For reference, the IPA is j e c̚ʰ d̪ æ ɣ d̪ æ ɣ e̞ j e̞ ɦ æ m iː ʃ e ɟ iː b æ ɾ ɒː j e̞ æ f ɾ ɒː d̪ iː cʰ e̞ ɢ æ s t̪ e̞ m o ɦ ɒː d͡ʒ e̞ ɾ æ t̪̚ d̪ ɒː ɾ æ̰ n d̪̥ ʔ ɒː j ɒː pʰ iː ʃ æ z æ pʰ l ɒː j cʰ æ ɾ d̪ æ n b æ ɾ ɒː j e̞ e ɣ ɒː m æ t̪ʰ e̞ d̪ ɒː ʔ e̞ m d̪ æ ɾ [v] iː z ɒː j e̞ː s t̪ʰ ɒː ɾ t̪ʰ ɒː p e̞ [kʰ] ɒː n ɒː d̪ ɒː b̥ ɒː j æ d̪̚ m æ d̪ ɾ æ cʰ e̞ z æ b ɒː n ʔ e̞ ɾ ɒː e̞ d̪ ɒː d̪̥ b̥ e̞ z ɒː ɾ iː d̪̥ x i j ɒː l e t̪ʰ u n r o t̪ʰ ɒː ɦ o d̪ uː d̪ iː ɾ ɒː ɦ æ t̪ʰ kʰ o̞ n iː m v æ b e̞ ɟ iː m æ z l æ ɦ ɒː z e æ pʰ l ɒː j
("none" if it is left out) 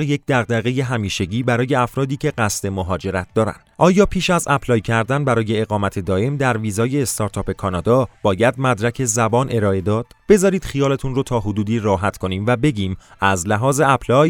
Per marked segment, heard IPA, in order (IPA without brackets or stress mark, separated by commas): v, kʰ